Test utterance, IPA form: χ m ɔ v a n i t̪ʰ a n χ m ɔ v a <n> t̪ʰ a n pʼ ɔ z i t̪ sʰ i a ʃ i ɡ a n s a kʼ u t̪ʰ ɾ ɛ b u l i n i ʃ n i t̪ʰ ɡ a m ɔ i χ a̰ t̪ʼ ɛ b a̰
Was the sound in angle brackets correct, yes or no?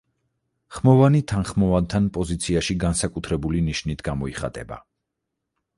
yes